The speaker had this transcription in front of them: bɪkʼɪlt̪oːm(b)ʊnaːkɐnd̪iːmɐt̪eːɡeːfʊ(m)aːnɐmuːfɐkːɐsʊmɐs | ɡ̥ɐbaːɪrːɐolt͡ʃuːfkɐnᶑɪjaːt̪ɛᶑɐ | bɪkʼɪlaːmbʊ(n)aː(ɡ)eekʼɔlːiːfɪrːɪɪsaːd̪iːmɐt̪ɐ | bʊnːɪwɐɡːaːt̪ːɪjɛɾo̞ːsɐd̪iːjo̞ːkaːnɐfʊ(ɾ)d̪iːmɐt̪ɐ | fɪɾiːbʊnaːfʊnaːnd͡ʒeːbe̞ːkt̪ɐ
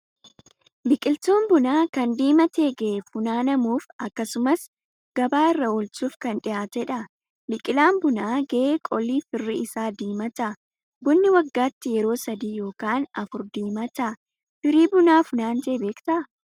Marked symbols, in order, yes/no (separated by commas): yes, no, yes, yes, yes